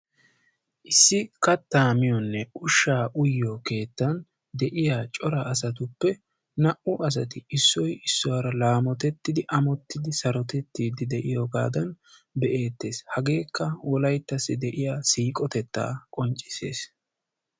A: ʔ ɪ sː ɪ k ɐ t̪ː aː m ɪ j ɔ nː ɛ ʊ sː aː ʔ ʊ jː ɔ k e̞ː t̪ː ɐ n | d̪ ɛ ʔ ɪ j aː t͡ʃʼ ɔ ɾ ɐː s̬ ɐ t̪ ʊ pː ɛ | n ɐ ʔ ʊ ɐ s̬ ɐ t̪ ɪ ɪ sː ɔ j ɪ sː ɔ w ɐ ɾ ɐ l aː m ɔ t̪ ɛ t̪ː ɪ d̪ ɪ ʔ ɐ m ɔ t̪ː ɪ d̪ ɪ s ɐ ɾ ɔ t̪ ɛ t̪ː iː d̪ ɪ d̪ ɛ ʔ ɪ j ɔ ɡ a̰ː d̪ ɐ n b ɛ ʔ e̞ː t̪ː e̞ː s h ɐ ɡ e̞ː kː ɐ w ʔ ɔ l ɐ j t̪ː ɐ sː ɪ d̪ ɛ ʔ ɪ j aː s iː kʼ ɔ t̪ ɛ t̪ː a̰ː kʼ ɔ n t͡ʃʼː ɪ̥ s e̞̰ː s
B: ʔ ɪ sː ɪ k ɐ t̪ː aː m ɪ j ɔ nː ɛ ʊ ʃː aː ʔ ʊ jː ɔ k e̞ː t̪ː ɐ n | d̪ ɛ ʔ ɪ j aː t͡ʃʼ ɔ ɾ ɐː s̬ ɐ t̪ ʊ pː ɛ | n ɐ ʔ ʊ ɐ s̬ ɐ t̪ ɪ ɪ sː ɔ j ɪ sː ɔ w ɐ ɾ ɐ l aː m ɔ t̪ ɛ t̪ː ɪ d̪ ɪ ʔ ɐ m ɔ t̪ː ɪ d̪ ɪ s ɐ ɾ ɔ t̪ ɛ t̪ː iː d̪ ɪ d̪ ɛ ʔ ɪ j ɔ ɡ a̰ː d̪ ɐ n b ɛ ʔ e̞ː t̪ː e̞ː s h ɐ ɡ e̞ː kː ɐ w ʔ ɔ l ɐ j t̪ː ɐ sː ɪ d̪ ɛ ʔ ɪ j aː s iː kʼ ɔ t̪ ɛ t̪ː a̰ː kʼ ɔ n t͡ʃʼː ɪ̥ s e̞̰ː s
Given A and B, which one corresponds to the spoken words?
B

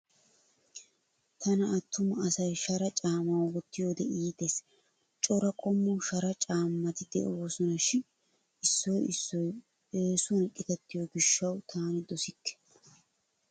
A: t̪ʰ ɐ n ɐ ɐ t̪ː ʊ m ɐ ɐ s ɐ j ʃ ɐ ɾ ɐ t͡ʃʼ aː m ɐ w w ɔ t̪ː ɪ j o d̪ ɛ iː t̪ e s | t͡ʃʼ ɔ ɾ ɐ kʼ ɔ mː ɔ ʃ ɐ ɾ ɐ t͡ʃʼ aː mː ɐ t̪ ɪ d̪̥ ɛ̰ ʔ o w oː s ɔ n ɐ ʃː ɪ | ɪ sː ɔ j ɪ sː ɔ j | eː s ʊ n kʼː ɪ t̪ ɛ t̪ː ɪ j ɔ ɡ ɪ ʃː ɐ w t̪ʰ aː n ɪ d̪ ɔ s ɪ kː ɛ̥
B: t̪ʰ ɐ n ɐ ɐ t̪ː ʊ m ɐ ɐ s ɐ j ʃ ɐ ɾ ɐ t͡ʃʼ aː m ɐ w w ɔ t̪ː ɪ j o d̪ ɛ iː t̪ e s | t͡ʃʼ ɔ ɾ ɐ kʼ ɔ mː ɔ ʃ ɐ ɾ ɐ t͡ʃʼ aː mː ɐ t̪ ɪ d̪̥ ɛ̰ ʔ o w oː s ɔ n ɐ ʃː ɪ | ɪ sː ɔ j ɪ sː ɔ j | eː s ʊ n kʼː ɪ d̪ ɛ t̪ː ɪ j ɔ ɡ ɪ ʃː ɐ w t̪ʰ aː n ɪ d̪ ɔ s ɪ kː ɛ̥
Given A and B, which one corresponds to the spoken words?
A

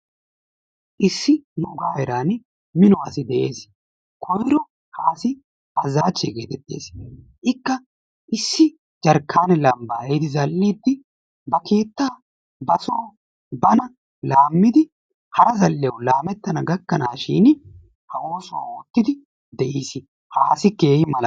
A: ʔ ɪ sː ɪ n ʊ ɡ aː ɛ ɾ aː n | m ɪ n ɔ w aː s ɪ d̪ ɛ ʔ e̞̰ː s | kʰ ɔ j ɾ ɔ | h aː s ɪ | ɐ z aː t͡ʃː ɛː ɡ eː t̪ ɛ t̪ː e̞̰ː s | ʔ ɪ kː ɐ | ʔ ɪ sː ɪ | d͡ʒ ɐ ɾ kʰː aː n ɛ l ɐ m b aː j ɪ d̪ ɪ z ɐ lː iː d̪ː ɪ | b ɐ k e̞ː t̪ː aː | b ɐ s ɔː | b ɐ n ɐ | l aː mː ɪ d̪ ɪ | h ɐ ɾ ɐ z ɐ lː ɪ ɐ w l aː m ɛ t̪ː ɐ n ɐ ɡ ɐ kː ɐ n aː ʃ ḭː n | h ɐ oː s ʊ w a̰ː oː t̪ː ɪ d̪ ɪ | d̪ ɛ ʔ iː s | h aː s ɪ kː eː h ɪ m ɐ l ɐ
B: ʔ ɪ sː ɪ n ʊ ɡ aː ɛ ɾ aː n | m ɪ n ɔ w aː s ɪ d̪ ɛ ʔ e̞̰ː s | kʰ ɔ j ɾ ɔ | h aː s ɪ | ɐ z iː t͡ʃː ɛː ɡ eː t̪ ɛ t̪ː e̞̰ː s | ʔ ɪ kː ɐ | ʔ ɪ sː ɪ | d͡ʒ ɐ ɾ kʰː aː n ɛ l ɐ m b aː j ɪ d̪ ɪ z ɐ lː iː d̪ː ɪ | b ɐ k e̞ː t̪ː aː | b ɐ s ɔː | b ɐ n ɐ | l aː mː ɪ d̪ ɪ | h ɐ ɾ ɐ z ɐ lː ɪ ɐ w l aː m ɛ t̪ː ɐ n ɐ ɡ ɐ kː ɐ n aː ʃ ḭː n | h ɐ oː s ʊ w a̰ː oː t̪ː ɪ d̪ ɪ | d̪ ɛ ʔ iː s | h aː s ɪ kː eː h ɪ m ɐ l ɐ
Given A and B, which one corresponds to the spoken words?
A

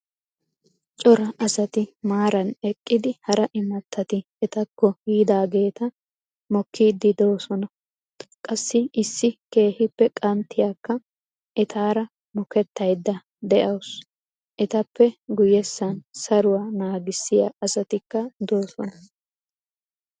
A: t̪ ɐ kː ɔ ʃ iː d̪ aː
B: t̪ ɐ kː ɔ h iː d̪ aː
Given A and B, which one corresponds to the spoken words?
B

